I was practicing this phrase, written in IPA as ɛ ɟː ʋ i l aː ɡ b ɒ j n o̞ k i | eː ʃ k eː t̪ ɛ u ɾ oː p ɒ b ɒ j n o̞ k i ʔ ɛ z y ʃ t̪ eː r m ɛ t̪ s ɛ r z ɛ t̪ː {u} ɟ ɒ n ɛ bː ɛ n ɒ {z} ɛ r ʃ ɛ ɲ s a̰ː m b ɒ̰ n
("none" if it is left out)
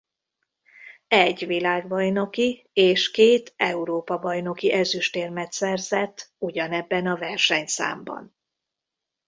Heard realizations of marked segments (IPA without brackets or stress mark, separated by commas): u, v